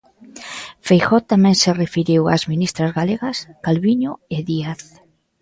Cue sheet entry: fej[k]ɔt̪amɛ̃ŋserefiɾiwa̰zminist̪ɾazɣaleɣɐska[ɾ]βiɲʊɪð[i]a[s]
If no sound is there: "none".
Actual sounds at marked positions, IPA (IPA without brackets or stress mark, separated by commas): x, l, i, θ